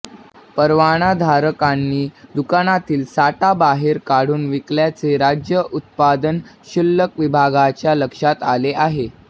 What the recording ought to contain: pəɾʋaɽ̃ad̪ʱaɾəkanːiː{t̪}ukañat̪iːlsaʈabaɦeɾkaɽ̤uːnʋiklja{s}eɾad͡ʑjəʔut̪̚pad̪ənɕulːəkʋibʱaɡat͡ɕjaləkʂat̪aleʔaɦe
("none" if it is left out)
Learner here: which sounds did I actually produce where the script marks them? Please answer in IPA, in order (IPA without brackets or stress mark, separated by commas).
d̪, t͡s